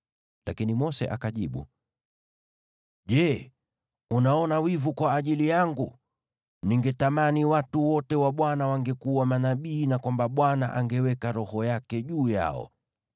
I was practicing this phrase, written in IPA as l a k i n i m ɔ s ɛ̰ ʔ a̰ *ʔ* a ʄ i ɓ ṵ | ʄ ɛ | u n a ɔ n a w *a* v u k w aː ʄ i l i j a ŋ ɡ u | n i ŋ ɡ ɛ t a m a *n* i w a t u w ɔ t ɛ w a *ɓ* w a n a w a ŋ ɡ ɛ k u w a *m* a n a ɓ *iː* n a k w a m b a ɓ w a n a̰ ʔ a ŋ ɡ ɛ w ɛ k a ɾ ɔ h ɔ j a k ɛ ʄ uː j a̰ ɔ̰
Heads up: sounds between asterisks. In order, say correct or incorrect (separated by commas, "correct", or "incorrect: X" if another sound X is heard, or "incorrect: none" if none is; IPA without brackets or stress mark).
incorrect: k, incorrect: i, correct, correct, correct, correct